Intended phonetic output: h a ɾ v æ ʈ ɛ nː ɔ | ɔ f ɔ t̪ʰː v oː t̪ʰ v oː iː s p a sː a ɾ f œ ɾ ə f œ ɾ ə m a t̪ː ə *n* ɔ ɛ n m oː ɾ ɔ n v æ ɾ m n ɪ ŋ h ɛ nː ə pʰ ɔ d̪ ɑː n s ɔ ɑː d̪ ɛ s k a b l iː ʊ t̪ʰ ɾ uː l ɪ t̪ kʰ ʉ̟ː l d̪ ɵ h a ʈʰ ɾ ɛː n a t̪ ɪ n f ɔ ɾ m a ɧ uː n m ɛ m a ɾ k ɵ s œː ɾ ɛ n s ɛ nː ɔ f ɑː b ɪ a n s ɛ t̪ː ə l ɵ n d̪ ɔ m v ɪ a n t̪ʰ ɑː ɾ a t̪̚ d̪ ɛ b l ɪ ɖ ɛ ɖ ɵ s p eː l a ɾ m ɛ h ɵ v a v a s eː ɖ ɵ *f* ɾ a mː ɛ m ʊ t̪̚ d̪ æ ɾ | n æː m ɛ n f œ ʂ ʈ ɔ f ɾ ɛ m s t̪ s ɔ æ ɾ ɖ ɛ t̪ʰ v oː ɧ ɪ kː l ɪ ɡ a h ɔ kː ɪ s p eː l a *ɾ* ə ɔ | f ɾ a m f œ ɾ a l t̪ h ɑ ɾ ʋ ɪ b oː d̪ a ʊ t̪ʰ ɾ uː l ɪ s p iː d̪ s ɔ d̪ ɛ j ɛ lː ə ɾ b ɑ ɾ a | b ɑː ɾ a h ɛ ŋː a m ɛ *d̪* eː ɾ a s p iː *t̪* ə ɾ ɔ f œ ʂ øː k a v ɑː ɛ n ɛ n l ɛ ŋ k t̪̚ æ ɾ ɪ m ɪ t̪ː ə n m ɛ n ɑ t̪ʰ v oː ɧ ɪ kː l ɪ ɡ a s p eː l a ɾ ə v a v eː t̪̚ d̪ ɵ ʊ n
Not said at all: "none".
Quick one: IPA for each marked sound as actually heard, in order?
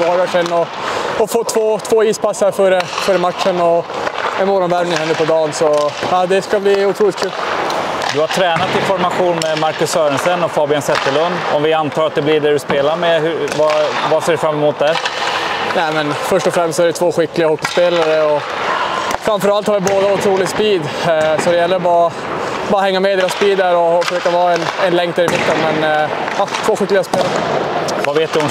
n, f, ɾ, d̪, d̪

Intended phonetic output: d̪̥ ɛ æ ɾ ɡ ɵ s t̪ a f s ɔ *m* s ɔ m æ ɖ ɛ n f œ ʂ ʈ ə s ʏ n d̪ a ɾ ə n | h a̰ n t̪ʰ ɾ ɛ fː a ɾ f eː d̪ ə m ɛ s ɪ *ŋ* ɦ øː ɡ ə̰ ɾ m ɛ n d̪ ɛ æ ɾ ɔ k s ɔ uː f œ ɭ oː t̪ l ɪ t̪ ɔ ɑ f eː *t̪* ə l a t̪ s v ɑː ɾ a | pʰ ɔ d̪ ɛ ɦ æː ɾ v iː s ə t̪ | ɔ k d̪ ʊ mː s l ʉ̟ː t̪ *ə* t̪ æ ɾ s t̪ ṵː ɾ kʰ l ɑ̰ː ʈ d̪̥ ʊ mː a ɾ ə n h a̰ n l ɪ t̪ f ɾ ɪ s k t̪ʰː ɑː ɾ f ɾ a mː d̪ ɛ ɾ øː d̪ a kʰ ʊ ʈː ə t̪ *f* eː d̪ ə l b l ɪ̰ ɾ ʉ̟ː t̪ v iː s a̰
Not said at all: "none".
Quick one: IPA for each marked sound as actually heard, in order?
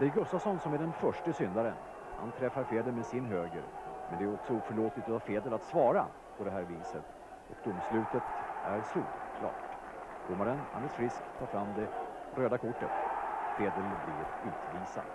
n, n, d̪, ə, f

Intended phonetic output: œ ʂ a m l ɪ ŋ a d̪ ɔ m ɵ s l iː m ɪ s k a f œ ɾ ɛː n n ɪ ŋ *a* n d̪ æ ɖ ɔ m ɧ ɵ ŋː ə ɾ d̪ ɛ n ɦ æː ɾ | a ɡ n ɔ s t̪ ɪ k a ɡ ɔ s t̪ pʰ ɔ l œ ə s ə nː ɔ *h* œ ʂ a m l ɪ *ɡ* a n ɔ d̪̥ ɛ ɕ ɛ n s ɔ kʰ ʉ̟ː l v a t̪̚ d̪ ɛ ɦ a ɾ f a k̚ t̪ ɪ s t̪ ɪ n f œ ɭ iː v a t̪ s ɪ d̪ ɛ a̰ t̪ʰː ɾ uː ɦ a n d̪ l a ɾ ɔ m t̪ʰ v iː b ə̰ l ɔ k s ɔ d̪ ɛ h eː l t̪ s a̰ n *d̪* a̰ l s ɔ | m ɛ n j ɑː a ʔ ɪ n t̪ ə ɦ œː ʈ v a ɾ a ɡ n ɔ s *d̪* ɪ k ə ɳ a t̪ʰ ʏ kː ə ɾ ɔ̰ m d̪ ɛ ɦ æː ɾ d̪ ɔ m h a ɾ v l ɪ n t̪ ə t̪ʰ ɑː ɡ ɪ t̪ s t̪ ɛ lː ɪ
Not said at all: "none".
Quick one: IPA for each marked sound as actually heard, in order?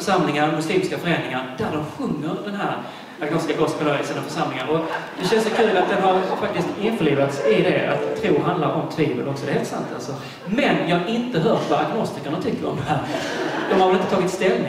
a, f, ŋ, t̪, t̪

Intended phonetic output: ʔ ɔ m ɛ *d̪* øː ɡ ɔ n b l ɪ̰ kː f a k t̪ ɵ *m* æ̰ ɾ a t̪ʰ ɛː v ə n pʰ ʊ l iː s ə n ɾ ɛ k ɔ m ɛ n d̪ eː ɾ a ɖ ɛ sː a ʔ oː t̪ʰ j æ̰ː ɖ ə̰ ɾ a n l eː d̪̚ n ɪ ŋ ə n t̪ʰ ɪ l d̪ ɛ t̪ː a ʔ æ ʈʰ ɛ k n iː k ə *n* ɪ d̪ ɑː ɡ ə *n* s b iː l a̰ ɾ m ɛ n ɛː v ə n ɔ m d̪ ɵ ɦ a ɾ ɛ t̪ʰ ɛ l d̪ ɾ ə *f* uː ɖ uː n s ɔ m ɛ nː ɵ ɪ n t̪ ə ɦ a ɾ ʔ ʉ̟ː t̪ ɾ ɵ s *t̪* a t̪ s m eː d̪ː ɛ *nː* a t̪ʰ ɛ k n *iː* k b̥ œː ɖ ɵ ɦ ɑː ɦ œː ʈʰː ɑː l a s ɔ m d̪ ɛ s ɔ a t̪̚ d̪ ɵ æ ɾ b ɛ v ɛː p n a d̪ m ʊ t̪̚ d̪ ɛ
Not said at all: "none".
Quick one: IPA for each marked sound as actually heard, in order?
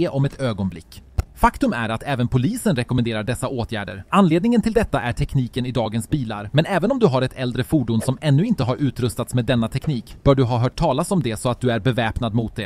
t̪, m, n, n, f, t̪, nː, iː

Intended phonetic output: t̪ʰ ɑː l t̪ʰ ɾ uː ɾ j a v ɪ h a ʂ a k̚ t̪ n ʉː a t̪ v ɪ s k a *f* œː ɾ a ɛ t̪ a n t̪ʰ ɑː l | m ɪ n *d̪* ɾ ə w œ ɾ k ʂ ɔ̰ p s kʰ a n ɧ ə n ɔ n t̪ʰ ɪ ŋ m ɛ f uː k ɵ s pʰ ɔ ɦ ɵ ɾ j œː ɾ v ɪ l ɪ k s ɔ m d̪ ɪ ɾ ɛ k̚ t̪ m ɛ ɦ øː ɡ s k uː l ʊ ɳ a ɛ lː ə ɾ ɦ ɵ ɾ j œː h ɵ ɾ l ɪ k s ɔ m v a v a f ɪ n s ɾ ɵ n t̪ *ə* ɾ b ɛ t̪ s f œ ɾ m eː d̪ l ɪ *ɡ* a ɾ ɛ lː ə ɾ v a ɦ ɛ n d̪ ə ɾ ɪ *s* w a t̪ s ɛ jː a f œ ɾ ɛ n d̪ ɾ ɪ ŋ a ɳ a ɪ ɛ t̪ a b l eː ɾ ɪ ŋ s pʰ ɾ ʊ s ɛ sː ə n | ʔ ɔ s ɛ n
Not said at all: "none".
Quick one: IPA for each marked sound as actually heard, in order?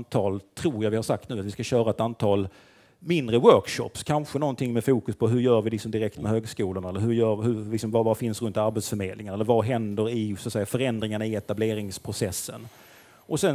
ɕ, d̪, a, ŋ, s

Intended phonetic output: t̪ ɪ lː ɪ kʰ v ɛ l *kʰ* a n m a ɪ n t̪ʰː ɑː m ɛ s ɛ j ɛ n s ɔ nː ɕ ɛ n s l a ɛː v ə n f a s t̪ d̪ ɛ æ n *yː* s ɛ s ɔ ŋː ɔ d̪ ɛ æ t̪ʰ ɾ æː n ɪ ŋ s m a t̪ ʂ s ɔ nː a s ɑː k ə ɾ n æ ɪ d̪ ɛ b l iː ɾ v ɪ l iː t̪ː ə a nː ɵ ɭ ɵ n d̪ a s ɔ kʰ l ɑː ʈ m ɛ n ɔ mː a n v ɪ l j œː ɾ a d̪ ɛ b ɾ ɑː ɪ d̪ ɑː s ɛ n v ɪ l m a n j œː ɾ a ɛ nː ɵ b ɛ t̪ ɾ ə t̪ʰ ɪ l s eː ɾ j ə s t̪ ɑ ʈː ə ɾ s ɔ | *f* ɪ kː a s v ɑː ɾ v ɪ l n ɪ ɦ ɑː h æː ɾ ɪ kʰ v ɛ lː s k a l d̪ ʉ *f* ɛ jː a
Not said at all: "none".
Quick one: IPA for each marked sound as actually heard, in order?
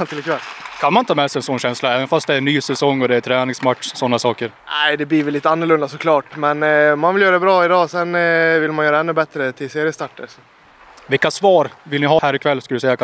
kʰ, yː, v, s

